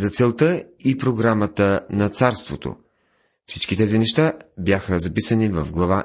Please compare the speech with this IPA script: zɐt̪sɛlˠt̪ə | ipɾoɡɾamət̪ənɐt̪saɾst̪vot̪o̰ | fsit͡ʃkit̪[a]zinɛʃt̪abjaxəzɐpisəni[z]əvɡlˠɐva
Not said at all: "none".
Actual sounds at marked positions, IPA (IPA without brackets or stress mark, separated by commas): ɛ, v